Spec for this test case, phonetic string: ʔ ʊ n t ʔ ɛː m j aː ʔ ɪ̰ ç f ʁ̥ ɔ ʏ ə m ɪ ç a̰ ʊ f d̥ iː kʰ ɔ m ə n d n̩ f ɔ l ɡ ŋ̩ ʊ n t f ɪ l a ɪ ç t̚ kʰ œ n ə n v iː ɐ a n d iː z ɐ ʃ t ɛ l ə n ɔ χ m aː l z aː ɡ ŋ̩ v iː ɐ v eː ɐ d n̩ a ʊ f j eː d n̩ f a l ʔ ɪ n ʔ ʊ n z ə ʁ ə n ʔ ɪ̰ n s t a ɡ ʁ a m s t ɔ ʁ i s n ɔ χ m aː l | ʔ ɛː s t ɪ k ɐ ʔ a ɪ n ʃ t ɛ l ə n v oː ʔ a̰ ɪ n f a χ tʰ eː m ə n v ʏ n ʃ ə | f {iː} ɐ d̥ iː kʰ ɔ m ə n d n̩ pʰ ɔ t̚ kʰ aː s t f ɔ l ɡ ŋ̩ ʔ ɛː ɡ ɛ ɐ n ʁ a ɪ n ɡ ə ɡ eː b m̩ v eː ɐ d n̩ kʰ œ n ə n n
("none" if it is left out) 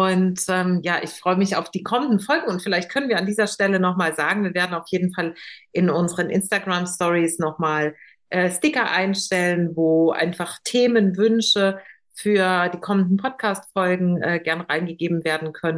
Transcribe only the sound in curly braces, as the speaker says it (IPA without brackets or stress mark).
yː